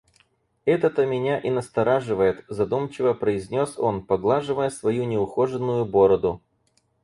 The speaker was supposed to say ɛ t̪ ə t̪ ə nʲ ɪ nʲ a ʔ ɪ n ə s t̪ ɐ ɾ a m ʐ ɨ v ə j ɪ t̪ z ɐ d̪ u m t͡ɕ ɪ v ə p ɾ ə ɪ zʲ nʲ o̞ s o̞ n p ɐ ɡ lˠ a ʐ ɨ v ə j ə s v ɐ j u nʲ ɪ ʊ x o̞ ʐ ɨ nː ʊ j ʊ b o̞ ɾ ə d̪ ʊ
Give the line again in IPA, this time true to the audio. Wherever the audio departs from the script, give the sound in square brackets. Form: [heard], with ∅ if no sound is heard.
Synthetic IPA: ɛ t̪ ə t̪ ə [mʲ] ɪ nʲ a ʔ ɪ n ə s t̪ ɐ ɾ a [∅] ʐ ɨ v ə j ɪ t̪ z ɐ d̪ u m t͡ɕ ɪ v ə p ɾ ə ɪ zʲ nʲ o̞ s o̞ n p ɐ ɡ lˠ a ʐ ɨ v ə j ə s v ɐ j u nʲ ɪ ʊ x o̞ ʐ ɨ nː ʊ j ʊ b o̞ ɾ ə d̪ ʊ

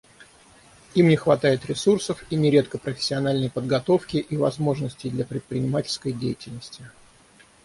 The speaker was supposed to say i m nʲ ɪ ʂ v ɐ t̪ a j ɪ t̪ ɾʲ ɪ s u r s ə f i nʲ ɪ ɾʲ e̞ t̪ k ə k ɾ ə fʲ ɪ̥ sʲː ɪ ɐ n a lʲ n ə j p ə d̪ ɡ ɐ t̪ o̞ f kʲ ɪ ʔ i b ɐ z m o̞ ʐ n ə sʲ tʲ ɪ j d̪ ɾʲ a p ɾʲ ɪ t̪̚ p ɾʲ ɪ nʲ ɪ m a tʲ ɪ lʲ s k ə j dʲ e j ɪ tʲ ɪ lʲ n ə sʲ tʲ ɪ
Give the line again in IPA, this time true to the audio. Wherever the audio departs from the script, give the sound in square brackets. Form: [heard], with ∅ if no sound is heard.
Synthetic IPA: i m nʲ ɪ [x] v ɐ t̪ a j ɪ t̪ ɾʲ ɪ s u r s ə f i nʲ ɪ ɾʲ e̞ t̪ k ə [p] ɾ ə fʲ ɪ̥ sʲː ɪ ɐ n a lʲ n ə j p ə d̪ ɡ ɐ t̪ o̞ f kʲ ɪ ʔ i [v] ɐ z m o̞ ʐ n ə sʲ tʲ ɪ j d̪ [lʲ] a p ɾʲ ɪ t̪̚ p ɾʲ ɪ nʲ ɪ m a tʲ ɪ lʲ s k ə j dʲ e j ɪ tʲ ɪ lʲ n ə sʲ tʲ ɪ

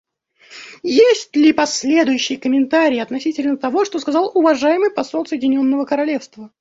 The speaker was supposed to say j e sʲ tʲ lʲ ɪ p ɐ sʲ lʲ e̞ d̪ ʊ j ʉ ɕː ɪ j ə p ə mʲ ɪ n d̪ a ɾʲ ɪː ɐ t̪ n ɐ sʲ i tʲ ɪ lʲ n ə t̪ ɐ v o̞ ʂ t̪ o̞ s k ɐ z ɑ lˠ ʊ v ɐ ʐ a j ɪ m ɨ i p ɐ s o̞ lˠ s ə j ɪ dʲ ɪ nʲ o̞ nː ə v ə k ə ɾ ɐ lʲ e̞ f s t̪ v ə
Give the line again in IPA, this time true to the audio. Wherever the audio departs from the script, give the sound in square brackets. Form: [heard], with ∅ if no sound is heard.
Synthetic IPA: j e sʲ tʲ lʲ ɪ p ɐ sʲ lʲ e̞ d̪ ʊ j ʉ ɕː ɪ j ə [k] ə mʲ ɪ n [t̪] a ɾʲ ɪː ɐ t̪ n ɐ sʲ i tʲ ɪ lʲ n ə t̪ ɐ v o̞ ʂ t̪ o̞ s k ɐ z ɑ lˠ ʊ v ɐ ʐ a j ɪ m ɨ [j] p ɐ s o̞ lˠ s ə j ɪ dʲ ɪ nʲ o̞ nː ə v ə k ə ɾ ɐ lʲ e̞ f s t̪ v ə

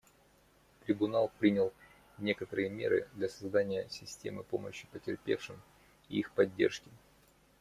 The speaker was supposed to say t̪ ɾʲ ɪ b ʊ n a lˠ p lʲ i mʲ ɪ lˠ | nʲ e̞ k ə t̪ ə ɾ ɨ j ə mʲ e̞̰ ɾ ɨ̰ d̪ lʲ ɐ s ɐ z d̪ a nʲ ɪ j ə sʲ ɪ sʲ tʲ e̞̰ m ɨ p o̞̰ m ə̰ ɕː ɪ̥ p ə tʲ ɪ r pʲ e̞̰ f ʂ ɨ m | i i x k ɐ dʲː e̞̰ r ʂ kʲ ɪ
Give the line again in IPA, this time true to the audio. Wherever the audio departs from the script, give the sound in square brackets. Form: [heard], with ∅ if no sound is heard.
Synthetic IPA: t̪ ɾʲ ɪ b ʊ n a lˠ p [ɾʲ] i [nʲ] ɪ lˠ | nʲ e̞ k ə t̪ ə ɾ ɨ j ə mʲ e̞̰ ɾ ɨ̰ d̪ lʲ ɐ s ɐ z d̪ a nʲ ɪ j ə sʲ ɪ sʲ tʲ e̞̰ m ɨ p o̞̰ m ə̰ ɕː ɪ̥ p ə tʲ ɪ r pʲ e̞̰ f ʂ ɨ m | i i x [p] ɐ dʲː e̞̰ r ʂ kʲ ɪ

